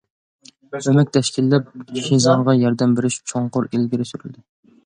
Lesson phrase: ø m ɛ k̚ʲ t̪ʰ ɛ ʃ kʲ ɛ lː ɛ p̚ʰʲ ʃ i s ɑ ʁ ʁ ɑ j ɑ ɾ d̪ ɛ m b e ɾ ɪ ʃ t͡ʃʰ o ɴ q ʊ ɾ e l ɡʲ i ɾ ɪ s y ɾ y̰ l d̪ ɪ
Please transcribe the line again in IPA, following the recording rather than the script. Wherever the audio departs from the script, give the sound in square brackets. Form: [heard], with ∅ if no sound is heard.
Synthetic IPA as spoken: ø m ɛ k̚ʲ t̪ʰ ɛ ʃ kʲ [i] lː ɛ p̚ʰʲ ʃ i [z] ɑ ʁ ʁ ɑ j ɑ ɾ d̪ ɛ m b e ɾ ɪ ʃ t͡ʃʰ o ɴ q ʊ ɾ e l ɡʲ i ɾ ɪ s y ɾ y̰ l d̪ ɪ